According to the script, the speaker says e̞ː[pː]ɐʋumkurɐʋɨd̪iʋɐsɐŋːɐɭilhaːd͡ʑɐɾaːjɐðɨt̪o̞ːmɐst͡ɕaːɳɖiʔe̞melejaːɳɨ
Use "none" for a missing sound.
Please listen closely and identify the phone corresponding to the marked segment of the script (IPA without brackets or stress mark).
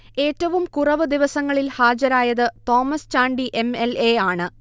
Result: tː